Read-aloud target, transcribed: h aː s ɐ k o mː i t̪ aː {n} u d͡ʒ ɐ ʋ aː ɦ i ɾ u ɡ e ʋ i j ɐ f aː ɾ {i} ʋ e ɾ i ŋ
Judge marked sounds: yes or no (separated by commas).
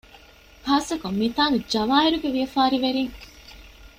yes, yes